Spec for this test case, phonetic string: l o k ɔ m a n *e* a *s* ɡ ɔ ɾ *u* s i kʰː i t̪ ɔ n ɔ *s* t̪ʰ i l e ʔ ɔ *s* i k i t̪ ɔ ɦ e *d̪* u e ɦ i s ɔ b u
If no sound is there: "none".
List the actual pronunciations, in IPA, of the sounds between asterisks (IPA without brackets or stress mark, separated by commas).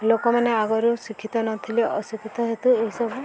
e, none, u, none, s, t̪